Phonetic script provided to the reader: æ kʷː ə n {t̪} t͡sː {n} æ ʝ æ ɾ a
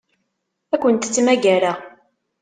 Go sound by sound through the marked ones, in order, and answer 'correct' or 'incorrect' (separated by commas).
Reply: correct, incorrect